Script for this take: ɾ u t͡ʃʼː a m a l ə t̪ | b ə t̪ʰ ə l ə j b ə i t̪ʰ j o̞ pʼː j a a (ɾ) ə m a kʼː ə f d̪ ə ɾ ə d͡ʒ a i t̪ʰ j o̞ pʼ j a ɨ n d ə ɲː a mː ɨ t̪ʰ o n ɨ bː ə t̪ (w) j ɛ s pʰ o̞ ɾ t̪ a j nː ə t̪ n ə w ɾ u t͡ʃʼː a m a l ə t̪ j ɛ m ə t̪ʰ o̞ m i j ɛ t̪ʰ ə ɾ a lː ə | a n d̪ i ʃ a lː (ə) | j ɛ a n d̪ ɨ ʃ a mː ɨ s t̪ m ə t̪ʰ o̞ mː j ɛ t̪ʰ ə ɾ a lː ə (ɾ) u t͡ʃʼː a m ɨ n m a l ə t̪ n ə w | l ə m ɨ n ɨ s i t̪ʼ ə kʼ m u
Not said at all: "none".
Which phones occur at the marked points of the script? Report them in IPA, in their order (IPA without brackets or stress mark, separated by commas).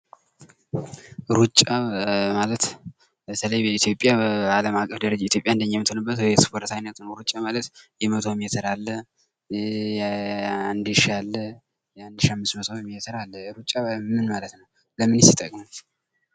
l, w, ə, ɾ